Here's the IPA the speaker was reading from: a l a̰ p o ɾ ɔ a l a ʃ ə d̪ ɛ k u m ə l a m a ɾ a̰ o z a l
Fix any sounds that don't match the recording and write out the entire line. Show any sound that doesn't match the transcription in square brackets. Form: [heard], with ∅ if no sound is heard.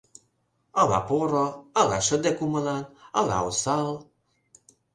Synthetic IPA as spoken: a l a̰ p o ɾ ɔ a l a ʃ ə d̪ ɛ k u m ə l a [n] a [l] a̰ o [s] a l